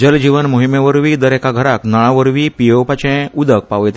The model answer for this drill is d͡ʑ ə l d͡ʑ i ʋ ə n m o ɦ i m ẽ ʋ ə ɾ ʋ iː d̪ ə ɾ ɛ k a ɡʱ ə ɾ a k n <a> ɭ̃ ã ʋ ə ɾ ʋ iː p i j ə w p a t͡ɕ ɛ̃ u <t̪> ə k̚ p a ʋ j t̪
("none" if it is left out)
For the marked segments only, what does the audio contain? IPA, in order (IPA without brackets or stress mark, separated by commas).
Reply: a, d̪